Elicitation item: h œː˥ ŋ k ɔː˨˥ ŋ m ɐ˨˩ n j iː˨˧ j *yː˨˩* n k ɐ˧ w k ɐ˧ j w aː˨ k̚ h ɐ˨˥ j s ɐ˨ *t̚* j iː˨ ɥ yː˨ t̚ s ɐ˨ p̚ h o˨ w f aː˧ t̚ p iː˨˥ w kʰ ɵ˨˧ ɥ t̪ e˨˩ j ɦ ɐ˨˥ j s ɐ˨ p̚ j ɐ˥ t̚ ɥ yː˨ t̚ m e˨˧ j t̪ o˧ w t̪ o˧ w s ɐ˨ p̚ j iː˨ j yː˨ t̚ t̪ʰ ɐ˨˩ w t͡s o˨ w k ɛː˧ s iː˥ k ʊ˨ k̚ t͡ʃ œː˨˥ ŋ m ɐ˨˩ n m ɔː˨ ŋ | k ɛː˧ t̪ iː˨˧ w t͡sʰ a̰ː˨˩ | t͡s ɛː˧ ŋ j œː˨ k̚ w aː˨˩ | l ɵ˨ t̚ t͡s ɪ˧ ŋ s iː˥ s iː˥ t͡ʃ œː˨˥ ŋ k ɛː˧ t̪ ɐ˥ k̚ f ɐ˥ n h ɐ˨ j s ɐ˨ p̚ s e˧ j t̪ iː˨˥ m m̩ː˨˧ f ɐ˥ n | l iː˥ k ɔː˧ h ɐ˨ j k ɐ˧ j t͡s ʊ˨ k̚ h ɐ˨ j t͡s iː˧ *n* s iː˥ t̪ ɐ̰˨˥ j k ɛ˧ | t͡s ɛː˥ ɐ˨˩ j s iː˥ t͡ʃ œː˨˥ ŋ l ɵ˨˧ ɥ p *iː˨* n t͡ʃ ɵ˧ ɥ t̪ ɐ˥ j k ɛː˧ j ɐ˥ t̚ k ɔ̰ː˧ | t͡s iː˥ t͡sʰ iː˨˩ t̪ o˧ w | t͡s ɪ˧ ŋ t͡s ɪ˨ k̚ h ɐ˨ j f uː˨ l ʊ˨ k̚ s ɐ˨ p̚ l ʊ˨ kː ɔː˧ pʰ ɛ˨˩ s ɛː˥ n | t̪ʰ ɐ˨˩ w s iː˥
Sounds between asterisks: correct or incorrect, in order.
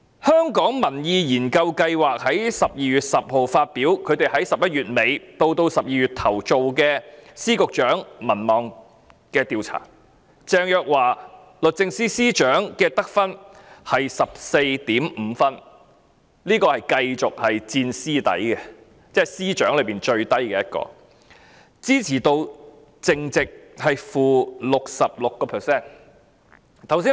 incorrect, incorrect, correct, correct

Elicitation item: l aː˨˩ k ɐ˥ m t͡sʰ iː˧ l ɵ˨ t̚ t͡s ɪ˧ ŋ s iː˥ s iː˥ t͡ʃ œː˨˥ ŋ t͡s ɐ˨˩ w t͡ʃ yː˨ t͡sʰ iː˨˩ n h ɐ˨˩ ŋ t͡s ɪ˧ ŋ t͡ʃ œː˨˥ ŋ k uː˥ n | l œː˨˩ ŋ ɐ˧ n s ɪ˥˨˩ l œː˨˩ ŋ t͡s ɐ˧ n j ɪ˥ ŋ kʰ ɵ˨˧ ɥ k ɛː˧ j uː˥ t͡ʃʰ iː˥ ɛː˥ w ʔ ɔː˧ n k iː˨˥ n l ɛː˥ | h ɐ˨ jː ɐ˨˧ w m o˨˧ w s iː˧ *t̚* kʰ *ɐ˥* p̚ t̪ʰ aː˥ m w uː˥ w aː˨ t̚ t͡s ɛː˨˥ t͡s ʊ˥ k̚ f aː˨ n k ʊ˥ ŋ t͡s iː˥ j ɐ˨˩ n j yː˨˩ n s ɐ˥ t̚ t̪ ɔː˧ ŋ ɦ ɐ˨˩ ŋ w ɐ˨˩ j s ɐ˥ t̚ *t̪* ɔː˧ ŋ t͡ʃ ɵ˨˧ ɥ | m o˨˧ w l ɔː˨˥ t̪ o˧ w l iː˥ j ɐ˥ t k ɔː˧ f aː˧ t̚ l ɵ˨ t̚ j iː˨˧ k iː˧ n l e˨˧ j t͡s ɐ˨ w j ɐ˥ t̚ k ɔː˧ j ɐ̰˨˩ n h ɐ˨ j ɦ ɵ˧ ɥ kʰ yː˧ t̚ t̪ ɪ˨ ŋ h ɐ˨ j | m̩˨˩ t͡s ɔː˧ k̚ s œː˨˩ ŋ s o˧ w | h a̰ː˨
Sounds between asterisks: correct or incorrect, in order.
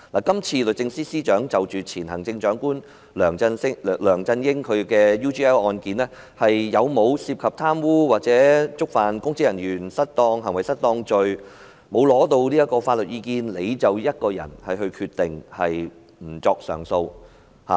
incorrect, incorrect, correct

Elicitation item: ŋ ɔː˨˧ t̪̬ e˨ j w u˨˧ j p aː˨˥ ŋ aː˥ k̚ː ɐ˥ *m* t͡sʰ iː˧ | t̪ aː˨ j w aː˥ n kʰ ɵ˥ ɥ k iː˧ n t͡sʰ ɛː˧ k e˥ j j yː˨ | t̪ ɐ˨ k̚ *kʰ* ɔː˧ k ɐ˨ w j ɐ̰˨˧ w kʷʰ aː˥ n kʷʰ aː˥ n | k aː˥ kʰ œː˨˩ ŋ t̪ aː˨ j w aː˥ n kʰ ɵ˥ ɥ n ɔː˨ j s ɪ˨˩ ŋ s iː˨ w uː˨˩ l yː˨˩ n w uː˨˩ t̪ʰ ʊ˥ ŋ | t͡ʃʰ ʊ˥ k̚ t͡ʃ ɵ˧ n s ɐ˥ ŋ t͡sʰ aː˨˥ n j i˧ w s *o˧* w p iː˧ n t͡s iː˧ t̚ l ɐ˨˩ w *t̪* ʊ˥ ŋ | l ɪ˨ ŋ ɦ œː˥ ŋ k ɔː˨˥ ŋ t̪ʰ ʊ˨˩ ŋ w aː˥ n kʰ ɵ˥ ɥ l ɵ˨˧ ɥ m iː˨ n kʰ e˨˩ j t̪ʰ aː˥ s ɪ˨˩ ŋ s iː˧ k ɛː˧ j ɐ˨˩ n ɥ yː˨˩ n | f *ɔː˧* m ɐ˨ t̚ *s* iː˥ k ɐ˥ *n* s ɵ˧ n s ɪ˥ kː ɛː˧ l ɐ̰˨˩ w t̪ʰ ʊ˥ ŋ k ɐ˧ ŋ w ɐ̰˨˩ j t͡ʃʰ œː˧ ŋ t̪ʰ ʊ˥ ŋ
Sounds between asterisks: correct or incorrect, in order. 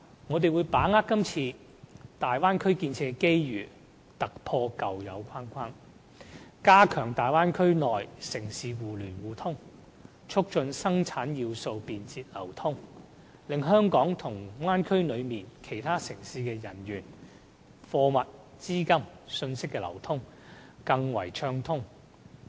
correct, incorrect, correct, incorrect, correct, incorrect, incorrect

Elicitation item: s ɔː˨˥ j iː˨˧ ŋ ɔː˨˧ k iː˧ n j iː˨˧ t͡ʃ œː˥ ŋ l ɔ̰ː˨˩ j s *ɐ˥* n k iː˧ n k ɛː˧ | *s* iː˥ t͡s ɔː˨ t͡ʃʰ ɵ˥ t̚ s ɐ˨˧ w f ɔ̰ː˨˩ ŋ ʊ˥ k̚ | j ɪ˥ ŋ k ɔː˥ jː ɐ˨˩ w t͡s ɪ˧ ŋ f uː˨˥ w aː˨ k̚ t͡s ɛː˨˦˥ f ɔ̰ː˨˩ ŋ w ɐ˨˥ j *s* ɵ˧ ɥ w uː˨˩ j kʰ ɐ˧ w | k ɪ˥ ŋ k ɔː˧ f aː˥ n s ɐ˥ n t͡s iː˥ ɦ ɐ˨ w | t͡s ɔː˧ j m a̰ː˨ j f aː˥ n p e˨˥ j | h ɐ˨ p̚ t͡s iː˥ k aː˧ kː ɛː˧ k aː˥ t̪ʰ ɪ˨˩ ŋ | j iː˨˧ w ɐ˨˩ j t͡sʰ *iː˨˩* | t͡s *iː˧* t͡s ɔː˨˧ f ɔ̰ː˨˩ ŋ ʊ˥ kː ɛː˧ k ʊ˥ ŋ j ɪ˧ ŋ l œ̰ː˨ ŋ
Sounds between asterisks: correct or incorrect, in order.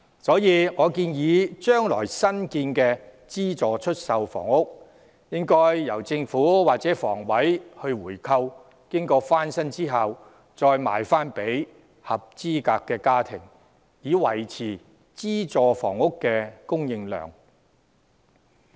correct, incorrect, incorrect, correct, incorrect

